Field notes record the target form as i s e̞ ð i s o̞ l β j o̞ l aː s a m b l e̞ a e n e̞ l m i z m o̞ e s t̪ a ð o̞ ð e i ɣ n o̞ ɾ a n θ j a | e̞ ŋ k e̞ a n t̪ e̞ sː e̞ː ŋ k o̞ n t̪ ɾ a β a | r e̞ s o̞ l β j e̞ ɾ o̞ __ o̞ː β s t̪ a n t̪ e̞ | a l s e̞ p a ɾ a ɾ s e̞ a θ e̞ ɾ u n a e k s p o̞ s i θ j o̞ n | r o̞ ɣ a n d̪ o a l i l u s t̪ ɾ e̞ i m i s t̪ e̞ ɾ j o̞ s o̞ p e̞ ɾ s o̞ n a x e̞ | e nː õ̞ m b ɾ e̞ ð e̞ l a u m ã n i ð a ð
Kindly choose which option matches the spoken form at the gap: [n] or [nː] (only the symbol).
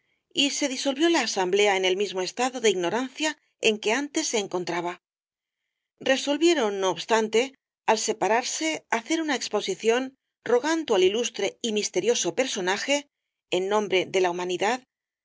nː